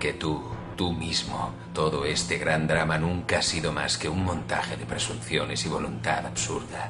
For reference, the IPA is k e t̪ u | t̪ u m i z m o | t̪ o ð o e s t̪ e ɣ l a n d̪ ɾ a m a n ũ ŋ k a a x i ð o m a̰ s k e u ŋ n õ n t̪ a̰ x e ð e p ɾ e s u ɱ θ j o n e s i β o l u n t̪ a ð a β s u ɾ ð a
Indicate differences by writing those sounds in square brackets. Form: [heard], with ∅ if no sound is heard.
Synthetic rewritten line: k e t̪ u | t̪ u m i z m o | t̪ o ð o e s t̪ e ɣ [ɾ] a n d̪ ɾ a m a n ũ ŋ k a a [s] i ð o m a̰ s k e u ŋ [m] õ n t̪ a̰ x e ð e p ɾ e s u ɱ θ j o n e s i β o l u n t̪ a ð a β s u ɾ ð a

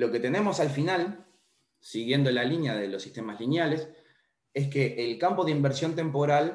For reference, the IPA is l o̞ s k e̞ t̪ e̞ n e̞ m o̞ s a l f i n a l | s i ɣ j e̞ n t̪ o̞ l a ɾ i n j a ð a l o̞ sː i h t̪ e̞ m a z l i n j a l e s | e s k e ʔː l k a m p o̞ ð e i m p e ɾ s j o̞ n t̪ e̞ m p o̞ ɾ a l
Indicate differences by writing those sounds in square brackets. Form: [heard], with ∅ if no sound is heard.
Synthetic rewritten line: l o̞ [∅] k e̞ t̪ e̞ n e̞ m o̞ s a l f i n a l | s i ɣ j e̞ n [d̪] o̞ l a [l] i n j a ð [e] l o̞ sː i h t̪ e̞ m a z l i n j a l e s | e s k e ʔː l k a m p o̞ ð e i m [b] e ɾ s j o̞ n t̪ e̞ m p o̞ ɾ a l

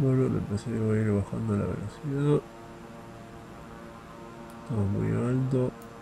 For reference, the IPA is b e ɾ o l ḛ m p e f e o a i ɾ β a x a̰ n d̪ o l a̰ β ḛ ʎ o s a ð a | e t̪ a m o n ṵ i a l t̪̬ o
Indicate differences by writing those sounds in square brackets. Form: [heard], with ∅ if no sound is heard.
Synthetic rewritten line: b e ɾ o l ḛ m p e [s] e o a i ɾ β a x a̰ n d̪ o l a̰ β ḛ [l] o s [i] ð a | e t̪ a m o [m] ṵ [j] a l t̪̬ o

